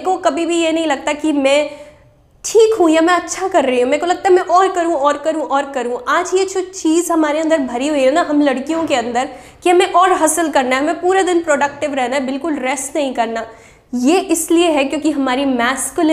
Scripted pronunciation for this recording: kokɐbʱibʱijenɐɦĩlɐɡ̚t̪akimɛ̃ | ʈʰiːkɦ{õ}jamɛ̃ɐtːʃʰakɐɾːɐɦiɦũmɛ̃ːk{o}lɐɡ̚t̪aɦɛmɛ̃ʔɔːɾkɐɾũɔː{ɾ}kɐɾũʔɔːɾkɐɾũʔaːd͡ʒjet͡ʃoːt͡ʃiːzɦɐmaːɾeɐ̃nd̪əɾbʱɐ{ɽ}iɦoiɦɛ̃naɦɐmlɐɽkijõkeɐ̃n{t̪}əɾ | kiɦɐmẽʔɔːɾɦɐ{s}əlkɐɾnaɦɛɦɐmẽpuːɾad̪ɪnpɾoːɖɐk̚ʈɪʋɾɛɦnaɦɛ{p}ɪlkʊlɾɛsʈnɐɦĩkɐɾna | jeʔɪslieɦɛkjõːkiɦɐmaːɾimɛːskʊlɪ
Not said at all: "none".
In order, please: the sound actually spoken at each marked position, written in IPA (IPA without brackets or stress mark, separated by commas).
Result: ũ, o, ɾ, ɾ, d̪, s, b